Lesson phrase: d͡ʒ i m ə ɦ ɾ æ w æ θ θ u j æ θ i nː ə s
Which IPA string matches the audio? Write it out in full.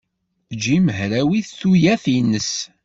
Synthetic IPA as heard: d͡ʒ i m ə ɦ ɾ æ w i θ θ u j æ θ i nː ə s